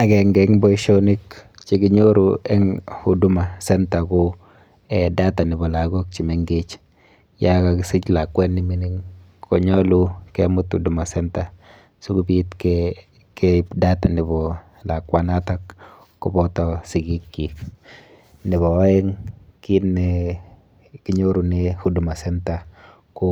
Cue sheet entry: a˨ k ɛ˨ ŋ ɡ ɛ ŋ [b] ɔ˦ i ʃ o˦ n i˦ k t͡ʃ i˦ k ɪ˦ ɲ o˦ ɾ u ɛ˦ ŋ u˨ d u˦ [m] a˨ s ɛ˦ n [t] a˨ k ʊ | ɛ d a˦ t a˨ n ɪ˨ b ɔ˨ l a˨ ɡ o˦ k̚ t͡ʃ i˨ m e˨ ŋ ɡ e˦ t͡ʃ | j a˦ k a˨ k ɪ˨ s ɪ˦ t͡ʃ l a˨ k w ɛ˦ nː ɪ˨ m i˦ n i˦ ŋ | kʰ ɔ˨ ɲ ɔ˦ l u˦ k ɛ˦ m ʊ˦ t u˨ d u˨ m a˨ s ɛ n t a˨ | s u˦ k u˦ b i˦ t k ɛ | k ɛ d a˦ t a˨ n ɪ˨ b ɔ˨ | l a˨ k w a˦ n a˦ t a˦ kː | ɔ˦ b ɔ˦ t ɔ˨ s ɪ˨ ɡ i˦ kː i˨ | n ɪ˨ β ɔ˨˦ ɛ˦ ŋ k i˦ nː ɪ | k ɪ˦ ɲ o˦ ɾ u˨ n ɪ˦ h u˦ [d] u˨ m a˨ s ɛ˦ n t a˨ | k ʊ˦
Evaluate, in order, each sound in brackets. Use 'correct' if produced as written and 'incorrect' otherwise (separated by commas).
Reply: correct, correct, correct, correct